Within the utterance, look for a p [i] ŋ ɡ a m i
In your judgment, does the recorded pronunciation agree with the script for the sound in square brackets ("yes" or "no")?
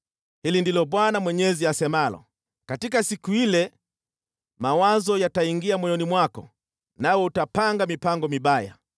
no